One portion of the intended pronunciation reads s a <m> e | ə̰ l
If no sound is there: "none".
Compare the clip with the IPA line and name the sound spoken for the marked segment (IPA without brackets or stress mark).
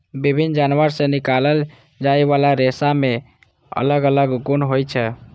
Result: m